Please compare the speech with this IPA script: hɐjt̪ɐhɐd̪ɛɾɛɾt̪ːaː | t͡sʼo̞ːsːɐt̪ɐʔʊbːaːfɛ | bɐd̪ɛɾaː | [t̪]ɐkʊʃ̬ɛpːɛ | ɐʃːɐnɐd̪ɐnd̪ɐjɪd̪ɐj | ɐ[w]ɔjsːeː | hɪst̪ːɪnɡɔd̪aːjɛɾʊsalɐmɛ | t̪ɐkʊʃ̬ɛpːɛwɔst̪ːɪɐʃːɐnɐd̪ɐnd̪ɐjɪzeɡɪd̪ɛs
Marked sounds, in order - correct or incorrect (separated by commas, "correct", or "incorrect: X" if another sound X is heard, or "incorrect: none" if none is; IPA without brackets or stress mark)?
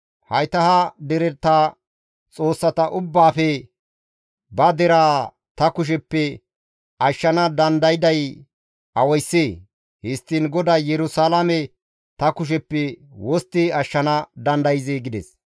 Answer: correct, correct